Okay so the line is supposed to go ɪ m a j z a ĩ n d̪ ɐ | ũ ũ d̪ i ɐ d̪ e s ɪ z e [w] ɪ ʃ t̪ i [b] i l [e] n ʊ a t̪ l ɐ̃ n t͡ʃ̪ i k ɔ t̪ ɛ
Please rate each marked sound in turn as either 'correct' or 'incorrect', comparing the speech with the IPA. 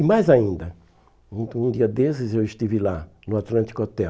correct, incorrect: v, incorrect: a

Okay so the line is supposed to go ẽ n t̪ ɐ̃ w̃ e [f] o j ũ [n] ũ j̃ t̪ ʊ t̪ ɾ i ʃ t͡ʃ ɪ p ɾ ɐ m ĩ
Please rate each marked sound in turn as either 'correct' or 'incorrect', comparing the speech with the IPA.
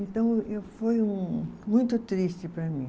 correct, incorrect: m

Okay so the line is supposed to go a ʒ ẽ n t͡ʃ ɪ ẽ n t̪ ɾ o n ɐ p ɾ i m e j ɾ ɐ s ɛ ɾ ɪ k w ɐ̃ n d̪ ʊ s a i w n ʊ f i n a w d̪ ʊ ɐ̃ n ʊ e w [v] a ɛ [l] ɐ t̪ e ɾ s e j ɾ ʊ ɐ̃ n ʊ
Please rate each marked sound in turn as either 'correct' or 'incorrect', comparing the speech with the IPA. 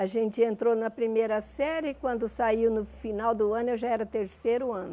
incorrect: ʒ, incorrect: ɾ

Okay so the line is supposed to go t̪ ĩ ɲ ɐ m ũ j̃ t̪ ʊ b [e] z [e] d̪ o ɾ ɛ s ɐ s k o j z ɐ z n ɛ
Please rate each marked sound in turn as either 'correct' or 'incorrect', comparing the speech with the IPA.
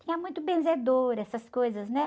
incorrect: ẽ, correct

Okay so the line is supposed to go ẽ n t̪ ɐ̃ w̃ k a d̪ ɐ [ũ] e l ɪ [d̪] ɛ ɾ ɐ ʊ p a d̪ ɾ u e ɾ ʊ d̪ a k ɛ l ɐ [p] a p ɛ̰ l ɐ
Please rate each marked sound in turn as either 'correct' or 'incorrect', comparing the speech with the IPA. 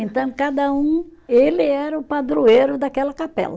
correct, incorrect: none, incorrect: k

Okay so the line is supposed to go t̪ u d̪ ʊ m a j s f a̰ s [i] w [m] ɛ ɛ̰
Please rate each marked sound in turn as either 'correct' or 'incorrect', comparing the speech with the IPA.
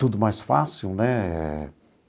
correct, incorrect: n

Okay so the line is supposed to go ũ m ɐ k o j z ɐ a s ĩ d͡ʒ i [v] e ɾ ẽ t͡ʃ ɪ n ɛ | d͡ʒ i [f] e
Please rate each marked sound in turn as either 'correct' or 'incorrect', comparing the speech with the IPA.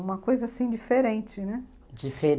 incorrect: f, correct

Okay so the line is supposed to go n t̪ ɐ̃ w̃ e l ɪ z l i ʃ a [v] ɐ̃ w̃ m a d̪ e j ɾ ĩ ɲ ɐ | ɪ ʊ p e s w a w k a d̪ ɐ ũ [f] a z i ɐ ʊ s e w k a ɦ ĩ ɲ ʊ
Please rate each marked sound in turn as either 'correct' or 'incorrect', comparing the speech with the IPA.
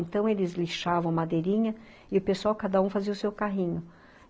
correct, correct

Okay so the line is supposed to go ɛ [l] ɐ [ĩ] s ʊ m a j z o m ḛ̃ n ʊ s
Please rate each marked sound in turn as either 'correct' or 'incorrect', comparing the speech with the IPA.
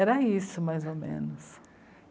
incorrect: ɾ, incorrect: i

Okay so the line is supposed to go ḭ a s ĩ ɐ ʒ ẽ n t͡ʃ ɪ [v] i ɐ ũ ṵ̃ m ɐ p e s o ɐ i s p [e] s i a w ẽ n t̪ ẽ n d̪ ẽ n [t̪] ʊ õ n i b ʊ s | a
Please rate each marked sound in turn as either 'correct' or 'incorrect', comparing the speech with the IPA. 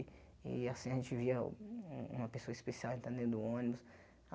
correct, correct, incorrect: d̪

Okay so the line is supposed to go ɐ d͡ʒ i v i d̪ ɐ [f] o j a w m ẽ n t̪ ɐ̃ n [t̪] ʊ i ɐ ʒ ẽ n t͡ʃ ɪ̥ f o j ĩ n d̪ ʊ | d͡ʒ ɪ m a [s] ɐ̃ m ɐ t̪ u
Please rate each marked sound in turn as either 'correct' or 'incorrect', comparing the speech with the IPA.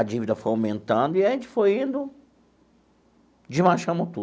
correct, incorrect: d̪, incorrect: ʃ

